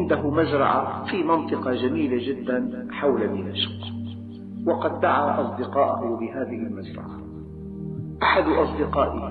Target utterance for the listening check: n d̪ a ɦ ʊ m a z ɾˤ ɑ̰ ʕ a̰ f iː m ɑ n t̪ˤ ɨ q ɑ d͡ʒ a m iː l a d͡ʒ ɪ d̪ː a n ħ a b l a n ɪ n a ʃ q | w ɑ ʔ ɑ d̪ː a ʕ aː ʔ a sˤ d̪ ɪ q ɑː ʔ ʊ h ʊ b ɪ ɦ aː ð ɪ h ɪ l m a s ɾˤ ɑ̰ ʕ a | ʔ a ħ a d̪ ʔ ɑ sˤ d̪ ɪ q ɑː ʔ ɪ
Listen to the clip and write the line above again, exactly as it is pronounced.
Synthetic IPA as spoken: n d̪ a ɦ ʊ m a z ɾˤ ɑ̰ ʕ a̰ f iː m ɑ n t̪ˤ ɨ q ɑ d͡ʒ a m iː l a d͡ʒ ɪ d̪ː a n ħ a w l a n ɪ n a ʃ q | w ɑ q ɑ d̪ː a ʕ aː ʔ ɑ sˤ d̪ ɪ q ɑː ʔ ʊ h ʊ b ɪ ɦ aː ð ɪ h ɪ l m a z ɾˤ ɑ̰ ʕ a | ʔ a ħ a d̪ ʔ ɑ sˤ d̪ ɪ q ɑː ʔ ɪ